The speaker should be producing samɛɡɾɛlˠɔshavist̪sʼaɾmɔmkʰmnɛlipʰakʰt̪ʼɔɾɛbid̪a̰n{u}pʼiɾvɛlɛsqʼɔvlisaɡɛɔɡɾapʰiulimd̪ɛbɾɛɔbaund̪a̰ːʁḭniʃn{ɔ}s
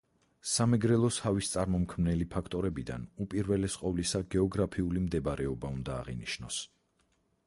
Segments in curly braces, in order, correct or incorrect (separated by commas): correct, correct